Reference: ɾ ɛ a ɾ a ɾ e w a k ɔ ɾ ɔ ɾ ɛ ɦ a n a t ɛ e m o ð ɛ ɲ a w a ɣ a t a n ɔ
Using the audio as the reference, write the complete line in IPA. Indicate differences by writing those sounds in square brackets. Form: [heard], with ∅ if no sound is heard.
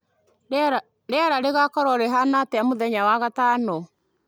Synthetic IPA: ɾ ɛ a ɾ a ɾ e [ɣ] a k ɔ ɾ ɔ ɾ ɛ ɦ a n a t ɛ [a] m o ð ɛ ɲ a w a ɣ a t a n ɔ